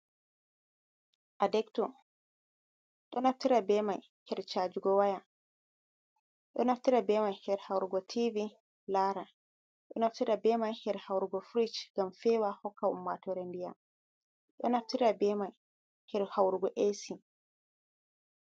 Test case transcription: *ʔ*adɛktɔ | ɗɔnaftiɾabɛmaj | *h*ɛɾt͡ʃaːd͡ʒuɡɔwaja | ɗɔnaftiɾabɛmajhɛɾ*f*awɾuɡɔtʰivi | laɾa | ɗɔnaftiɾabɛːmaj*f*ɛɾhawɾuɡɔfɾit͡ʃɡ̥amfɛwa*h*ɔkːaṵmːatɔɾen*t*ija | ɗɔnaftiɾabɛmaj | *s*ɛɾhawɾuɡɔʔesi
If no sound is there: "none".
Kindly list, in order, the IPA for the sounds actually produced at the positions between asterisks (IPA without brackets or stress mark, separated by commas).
ʔ, h, h, h, h, d, h